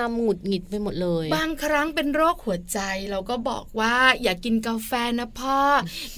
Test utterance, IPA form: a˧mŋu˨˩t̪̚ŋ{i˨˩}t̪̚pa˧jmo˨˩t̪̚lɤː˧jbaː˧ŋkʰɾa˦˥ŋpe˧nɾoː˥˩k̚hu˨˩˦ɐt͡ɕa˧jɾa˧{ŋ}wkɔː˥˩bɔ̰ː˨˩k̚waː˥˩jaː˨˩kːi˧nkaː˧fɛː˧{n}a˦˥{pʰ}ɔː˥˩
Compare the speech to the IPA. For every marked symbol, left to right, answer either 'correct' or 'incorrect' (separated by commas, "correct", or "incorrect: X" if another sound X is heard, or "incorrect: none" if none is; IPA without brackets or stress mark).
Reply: correct, incorrect: none, correct, correct